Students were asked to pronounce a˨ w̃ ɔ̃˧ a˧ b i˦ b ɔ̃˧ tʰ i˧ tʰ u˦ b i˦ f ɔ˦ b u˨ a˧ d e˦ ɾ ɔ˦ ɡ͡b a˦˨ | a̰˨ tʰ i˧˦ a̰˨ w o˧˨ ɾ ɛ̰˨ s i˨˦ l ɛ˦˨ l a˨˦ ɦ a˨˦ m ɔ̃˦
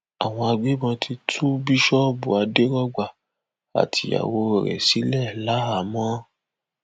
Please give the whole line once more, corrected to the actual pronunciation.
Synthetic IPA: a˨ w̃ ɔ̃˧ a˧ ɡ͡b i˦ b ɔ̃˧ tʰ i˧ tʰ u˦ b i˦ ʃ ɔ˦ b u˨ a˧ d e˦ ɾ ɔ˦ ɡ͡b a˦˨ | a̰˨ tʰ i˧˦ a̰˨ w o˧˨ ɾ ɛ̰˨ s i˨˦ l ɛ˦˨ l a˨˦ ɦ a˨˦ m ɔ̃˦